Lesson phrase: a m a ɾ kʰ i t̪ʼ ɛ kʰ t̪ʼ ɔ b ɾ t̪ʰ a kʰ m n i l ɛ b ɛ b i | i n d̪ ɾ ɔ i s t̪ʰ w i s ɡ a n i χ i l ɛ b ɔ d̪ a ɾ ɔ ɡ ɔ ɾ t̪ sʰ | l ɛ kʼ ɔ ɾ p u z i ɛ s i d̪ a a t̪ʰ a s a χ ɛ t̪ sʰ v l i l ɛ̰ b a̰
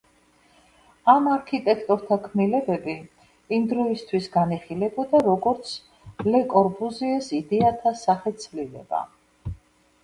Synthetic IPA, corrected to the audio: a m a ɾ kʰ i t̪ʼ ɛ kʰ t̪ʼ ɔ ɾ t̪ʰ a kʰ m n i l ɛ b ɛ b i | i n d̪ ɾ ɔ i s t̪ʰ w i s ɡ a n i χ i l ɛ b ɔ d̪ a ɾ ɔ ɡ ɔ ɾ t̪ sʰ | l ɛ kʼ ɔ ɾ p u z i ɛ s i d̪ ɛ a t̪ʰ a s a χ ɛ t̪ sʰ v l i l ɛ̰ b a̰